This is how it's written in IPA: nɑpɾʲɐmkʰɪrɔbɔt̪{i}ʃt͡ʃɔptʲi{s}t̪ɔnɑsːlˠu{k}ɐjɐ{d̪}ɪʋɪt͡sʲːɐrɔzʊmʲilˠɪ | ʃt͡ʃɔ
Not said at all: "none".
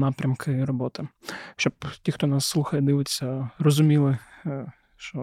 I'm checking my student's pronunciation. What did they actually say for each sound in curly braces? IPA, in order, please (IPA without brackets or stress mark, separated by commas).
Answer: ɪ, x, x, d̪